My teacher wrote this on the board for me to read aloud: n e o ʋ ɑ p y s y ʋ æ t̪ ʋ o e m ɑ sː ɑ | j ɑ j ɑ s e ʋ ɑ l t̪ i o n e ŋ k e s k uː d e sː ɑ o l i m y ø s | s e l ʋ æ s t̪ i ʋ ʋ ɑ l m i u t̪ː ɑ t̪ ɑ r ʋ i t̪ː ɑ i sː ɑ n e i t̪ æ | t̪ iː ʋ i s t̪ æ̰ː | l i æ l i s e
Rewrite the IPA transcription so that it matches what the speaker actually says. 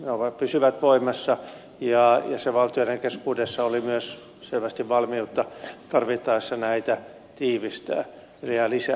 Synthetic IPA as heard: n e o ʋ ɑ p y s y ʋ æ t̪ ʋ o i m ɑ sː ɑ | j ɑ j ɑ s e ʋ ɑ l t̪ i o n e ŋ k e s k uː d e sː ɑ o l i m y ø s | s e l ʋ æ s t̪ i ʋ ʋ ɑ l m i u t̪ː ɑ t̪ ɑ r ʋ i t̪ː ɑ i sː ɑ n æ i t̪ æ | t̪ iː ʋ i s t̪ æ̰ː | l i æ l i s æ